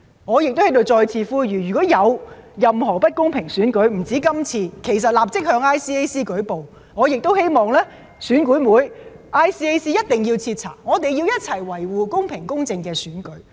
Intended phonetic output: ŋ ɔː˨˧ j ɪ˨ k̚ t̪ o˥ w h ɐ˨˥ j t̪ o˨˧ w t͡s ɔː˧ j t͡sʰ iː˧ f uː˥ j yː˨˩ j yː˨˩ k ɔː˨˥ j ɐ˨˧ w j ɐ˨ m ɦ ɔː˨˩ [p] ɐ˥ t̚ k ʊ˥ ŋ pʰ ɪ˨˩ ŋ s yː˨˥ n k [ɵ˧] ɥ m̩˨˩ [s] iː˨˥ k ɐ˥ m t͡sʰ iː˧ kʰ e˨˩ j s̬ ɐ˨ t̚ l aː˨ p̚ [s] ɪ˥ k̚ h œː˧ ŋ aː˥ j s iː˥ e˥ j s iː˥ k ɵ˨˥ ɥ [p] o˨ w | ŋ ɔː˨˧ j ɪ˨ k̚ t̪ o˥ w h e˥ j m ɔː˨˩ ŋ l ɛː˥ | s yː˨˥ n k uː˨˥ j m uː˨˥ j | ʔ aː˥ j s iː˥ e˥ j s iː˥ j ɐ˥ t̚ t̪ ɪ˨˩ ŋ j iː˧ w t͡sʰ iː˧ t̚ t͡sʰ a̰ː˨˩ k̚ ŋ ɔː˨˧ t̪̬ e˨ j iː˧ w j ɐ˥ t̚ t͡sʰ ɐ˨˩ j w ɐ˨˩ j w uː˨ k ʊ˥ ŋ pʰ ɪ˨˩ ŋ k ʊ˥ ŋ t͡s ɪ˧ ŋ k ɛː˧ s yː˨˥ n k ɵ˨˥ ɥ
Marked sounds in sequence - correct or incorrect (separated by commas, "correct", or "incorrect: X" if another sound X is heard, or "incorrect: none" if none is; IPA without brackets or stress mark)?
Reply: correct, incorrect: ɵ˨˥, incorrect: t͡s, incorrect: t͡s, correct